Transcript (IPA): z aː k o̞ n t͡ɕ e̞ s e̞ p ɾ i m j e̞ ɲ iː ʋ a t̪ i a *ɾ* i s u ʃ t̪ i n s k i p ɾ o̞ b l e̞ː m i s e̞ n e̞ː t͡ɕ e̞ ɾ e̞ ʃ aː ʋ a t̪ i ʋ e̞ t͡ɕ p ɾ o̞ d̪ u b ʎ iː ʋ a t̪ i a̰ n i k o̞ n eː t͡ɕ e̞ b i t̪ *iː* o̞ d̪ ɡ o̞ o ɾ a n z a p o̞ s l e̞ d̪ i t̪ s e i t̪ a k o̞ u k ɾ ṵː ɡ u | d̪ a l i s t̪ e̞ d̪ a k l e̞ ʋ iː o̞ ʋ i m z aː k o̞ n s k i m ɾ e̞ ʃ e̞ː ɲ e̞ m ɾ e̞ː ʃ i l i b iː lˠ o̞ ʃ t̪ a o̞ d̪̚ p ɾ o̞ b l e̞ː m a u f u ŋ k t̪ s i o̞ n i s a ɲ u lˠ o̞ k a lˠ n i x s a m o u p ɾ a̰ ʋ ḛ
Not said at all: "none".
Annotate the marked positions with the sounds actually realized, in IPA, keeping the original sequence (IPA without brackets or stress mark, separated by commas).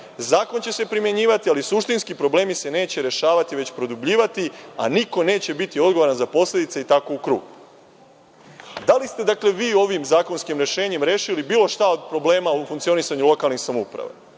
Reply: l, i